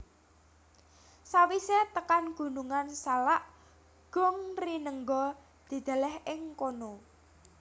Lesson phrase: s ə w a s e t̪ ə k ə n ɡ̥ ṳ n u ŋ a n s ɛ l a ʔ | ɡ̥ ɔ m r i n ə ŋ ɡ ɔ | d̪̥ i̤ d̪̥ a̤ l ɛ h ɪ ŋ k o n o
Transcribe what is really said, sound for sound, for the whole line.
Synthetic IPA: s a w i s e t̪ ə k a n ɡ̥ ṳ n u ŋ a n s a l a ʔ | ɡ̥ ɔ ŋ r i n ə ŋ ɡ ɔ | d̪̥ i̤ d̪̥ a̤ l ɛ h ɪ ŋ k o n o